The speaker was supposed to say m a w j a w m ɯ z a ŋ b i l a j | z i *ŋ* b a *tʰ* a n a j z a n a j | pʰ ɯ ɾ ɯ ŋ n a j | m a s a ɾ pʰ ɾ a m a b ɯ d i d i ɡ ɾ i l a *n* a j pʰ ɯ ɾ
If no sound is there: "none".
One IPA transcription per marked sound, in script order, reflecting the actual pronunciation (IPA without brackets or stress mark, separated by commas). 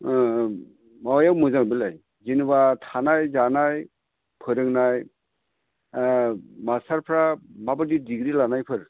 n, tʰ, n